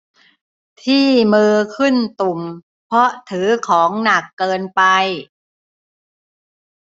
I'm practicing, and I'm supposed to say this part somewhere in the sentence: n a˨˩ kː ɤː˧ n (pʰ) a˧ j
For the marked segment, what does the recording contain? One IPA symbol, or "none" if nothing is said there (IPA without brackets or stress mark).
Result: p